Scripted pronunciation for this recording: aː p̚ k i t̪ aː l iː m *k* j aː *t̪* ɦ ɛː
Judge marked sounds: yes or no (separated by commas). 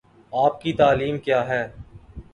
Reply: yes, no